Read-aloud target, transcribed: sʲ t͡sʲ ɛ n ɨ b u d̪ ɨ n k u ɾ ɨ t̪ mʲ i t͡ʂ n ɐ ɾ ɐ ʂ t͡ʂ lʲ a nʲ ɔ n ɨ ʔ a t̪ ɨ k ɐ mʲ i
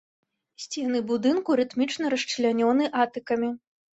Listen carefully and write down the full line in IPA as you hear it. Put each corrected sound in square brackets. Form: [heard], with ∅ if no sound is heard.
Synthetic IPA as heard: sʲ t͡sʲ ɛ n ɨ b u d̪ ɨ n k u ɾ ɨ t̪ mʲ i t͡ʂ n ɐ ɾ ɐ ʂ t͡ʂ lʲ a nʲ ɔ n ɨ ʔ a t̪ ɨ k ɐ mʲ i